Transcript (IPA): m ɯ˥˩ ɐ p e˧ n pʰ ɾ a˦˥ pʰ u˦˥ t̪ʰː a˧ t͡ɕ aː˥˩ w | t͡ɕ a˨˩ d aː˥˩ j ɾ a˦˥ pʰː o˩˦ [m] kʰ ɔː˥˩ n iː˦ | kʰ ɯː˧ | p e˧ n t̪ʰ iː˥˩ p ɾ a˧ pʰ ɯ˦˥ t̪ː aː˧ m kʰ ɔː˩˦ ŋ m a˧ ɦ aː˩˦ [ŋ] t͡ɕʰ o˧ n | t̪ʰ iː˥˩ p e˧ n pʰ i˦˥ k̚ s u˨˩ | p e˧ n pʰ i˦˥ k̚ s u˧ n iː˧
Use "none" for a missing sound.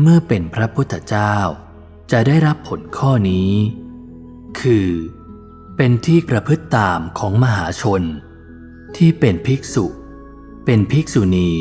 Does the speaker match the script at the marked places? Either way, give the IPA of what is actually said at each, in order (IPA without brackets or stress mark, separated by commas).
n, none